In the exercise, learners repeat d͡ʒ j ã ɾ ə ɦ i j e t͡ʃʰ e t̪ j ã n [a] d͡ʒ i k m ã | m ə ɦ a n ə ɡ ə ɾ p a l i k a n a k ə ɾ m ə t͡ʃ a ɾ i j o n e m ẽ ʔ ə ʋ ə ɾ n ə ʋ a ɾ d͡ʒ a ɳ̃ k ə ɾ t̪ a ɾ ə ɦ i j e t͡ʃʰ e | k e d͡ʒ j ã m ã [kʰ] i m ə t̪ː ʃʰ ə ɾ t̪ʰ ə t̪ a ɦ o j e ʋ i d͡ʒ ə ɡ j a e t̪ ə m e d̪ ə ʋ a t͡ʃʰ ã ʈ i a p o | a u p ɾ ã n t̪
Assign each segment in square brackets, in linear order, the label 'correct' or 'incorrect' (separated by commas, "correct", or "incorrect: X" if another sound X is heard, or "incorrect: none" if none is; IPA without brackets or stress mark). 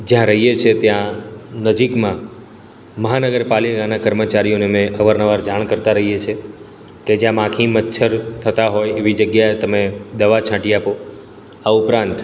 incorrect: ə, correct